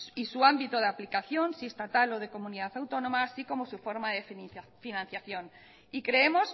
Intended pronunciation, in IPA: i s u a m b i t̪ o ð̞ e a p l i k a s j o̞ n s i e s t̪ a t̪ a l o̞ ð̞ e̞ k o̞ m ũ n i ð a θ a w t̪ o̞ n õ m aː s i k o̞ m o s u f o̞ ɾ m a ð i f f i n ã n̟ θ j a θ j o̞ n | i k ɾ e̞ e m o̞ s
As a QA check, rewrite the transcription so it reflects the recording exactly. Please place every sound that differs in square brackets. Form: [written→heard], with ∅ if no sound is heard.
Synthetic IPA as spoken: i s u a m b i t̪ o ð̞ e a p l i k a [s→θ] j o̞ n s i e s t̪ a t̪ a l o̞ ð̞ e̞ k o̞ m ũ n i ð a θ a w t̪ o̞ n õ m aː s i k o̞ m o s u f o̞ ɾ m a ð [i→e] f f i n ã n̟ θ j a θ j o̞ n | i k ɾ e̞ e m o̞ s